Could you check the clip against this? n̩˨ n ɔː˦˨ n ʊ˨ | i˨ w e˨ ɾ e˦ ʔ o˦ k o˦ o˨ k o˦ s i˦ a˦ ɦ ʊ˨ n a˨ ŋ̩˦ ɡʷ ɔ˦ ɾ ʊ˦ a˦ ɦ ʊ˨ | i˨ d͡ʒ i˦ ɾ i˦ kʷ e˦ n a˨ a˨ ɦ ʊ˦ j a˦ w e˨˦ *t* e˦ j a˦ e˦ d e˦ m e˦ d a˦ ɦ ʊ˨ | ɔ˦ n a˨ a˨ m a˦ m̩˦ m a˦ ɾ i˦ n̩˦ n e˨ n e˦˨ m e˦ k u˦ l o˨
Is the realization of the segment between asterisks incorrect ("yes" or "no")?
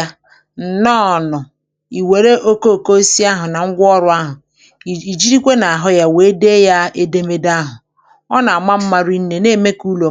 yes